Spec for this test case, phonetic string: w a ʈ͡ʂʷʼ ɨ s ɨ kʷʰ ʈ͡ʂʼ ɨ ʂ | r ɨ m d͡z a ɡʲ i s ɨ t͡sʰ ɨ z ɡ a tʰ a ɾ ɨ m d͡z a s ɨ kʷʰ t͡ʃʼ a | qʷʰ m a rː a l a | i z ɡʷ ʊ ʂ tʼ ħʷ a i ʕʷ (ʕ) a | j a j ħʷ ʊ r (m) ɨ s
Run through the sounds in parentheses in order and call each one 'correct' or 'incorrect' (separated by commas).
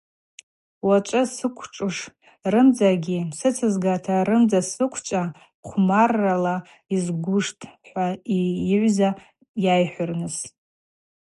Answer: incorrect, incorrect